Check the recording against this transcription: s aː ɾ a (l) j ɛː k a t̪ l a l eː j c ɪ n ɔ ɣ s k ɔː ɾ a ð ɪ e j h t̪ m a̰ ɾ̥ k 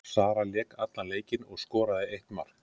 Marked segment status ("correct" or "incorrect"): correct